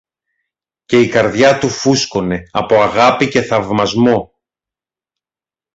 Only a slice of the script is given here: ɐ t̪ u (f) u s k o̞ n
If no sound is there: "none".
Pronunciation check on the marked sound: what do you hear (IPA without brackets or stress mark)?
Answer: f